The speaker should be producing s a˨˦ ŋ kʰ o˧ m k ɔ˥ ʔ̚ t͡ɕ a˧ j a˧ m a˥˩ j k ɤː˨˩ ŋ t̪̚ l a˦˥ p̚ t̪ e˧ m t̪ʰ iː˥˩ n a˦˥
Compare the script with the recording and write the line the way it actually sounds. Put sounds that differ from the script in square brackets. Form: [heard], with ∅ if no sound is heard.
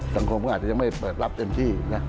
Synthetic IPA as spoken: s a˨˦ ŋ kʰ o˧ m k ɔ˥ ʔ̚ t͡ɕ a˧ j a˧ m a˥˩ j [p] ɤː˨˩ [∅] t̪̚ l a˦˥ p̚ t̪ e˧ m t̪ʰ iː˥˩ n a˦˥